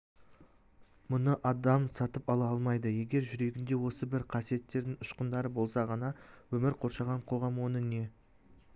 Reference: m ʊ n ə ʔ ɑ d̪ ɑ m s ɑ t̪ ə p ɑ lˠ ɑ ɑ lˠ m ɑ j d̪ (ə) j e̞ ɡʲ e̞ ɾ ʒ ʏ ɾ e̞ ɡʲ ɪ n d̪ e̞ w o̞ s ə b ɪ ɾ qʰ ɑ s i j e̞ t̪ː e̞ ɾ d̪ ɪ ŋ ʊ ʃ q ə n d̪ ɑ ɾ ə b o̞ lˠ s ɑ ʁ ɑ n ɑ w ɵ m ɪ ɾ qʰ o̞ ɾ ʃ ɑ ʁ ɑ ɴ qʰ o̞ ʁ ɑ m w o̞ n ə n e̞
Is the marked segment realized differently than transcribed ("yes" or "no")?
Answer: no